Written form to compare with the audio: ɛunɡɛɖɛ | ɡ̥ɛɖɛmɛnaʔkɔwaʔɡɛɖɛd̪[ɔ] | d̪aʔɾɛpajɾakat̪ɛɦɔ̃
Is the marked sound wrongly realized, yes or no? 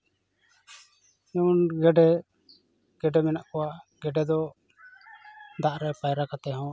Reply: no